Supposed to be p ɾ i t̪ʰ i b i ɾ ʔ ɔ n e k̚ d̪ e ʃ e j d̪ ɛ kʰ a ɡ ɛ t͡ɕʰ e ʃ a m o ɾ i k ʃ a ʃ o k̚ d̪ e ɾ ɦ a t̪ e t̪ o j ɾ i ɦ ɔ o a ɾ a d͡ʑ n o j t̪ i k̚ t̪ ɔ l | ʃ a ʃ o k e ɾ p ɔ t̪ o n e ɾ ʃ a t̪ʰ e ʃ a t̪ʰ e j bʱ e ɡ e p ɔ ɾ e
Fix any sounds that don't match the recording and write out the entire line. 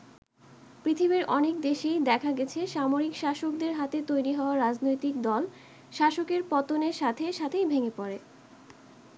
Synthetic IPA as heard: p ɾ i t̪ʰ i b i ɾ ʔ ɔ n e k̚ d̪ e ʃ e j d̪ ɛ kʰ a ɡ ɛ t͡ɕʰ e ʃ a m o ɾ i k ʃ a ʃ o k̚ d̪ e ɾ ɦ a t̪ e t̪ o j ɾ i ɦ ɔ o a ɾ a d͡ʑ n o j t̪ i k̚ d̪ ɔ l | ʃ a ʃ o k e ɾ p ɔ t̪ o n e ɾ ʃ a t̪ʰ e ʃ a t̪ʰ e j bʱ e ŋ e p ɔ ɾ e